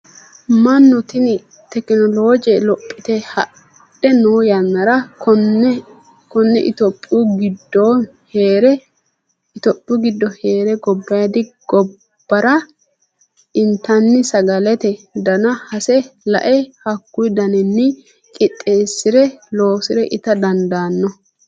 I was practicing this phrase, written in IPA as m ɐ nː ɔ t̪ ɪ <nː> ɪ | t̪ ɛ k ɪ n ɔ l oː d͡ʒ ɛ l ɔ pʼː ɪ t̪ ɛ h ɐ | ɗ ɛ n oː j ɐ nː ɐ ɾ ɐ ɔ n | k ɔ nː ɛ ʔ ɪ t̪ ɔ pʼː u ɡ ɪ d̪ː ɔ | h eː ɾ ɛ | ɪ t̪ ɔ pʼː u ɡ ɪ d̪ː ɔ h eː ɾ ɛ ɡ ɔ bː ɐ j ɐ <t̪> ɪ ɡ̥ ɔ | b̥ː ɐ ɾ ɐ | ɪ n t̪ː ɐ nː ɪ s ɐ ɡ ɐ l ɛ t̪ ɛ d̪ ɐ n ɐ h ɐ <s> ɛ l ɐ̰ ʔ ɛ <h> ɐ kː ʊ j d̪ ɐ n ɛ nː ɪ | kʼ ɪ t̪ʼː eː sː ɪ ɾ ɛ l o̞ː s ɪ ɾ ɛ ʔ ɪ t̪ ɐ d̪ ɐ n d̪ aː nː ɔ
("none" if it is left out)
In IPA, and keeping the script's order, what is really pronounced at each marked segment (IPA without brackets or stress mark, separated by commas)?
n, d̪, s, h